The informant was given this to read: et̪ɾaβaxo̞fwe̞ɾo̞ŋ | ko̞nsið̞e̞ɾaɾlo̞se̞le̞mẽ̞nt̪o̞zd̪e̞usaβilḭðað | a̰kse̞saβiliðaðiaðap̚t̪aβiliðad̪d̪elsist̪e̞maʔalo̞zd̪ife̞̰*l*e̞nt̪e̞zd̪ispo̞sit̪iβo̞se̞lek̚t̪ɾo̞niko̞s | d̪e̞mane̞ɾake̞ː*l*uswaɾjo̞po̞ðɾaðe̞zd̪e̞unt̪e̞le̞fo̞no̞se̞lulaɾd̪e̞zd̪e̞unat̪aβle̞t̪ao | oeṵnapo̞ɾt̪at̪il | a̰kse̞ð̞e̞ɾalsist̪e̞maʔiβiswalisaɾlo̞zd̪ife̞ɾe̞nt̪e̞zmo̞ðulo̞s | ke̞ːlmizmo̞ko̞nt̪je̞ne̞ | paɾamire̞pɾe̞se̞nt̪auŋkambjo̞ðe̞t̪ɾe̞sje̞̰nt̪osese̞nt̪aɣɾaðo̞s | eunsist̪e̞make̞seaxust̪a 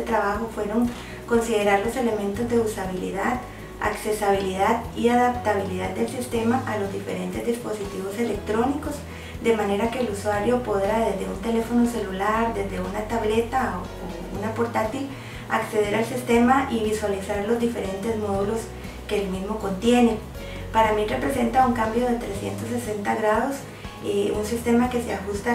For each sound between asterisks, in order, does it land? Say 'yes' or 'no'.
no, yes

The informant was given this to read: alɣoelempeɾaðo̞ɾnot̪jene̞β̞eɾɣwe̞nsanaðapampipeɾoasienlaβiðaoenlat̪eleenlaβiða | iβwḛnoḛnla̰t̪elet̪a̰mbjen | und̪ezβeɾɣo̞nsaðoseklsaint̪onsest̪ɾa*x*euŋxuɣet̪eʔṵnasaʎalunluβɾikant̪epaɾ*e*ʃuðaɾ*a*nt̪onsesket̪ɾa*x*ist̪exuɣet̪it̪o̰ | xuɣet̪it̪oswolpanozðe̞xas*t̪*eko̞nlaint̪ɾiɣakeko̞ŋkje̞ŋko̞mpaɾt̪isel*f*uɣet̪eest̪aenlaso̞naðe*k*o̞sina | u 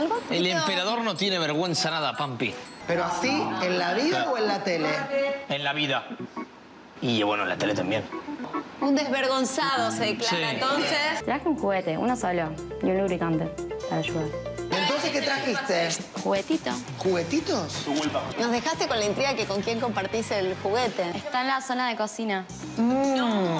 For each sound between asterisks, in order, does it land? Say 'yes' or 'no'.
yes, no, no, yes, yes, no, yes

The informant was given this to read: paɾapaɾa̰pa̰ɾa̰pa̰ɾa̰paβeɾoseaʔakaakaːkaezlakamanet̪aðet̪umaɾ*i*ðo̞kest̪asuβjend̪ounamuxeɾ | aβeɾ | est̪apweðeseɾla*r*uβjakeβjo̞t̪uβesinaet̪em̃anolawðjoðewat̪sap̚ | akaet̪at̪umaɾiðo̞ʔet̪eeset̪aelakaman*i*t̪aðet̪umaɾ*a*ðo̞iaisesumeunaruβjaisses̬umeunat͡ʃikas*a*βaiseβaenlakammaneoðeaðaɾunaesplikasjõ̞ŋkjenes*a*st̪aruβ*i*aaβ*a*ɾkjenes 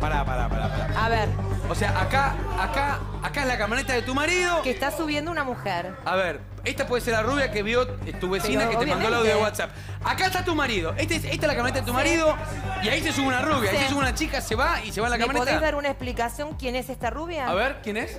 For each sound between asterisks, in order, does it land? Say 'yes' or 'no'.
yes, yes, no, no, no, no, no, no

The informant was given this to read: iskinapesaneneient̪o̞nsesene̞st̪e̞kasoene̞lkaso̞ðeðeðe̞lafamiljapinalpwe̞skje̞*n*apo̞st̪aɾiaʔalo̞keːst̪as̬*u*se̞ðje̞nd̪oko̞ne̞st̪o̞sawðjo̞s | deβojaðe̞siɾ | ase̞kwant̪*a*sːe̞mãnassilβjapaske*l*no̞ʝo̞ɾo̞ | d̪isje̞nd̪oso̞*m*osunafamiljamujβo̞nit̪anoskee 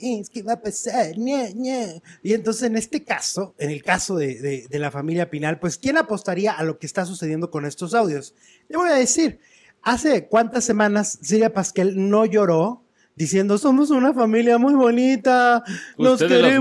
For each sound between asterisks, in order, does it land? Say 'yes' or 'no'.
yes, yes, yes, yes, yes

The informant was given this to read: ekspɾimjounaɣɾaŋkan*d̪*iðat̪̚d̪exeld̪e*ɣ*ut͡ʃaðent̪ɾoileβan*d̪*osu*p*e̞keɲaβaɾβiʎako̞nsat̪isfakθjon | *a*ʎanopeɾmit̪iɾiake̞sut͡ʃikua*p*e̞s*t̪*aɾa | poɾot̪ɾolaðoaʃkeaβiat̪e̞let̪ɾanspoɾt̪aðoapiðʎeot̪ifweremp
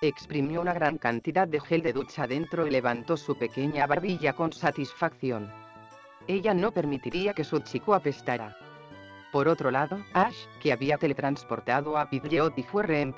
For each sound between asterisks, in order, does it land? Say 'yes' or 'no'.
no, no, no, yes, no, yes, yes

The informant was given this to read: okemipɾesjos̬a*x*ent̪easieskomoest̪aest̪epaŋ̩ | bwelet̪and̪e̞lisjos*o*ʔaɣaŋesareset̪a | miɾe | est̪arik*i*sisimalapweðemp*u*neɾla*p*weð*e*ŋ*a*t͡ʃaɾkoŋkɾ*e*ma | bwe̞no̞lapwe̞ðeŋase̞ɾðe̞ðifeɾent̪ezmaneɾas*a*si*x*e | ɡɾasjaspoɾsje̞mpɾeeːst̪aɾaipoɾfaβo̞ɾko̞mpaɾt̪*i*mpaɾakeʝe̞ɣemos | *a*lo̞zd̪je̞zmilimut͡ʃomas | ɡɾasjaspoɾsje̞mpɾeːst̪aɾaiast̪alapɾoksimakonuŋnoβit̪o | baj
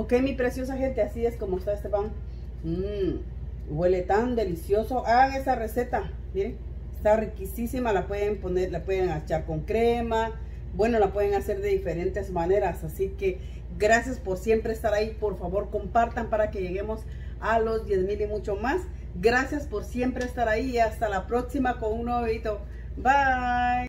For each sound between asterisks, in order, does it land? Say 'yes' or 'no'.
yes, yes, yes, no, yes, yes, yes, yes, yes, no, no, yes

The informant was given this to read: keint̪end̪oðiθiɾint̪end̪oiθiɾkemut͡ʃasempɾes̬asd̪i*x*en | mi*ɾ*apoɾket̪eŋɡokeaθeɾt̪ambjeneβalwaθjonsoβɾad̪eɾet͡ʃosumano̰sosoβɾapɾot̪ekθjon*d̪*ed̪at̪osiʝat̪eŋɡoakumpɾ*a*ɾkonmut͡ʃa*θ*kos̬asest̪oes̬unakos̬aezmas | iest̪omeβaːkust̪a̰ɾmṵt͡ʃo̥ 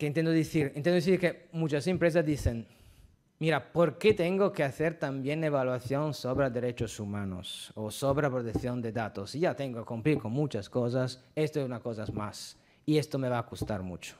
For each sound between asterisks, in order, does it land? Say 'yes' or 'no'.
no, yes, yes, no, no

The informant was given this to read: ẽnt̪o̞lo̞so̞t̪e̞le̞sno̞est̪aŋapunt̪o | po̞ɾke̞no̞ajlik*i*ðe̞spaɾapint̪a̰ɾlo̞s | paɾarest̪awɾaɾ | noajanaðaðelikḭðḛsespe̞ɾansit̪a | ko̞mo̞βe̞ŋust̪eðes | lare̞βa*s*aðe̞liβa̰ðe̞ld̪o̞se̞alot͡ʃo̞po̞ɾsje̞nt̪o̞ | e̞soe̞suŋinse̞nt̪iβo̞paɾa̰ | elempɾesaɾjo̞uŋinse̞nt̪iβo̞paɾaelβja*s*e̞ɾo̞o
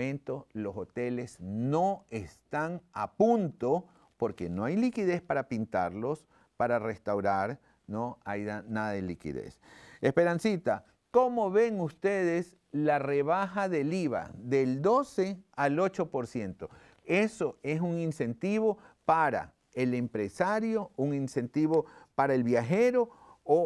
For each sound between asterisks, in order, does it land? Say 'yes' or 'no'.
yes, no, no

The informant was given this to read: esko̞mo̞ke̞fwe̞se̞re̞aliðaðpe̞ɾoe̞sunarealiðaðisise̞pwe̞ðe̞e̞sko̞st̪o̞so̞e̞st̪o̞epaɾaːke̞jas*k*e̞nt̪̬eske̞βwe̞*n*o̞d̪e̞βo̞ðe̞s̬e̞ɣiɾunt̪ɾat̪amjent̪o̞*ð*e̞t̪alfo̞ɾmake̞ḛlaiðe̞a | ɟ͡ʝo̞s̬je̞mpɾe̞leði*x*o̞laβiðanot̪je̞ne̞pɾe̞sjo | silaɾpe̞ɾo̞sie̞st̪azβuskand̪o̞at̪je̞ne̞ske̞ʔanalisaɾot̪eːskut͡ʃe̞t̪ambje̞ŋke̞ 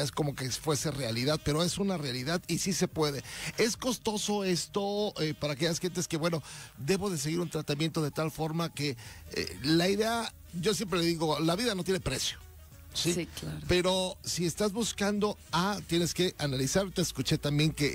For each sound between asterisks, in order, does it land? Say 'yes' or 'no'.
no, yes, yes, no

